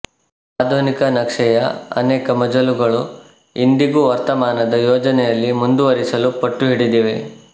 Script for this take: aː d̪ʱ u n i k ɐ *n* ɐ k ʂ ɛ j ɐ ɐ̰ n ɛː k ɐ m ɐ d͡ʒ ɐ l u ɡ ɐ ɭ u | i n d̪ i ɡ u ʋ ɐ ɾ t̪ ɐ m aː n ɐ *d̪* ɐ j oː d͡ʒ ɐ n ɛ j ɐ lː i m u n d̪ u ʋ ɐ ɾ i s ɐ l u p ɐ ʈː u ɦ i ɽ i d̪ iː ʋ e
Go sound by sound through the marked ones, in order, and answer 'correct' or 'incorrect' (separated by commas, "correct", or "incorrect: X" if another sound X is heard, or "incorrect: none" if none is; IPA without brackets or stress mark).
correct, correct